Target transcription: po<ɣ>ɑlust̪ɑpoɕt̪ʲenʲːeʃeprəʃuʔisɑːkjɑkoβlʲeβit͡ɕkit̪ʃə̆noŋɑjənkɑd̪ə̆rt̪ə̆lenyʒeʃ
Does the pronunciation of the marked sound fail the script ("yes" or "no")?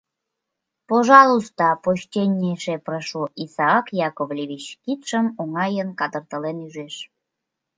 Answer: yes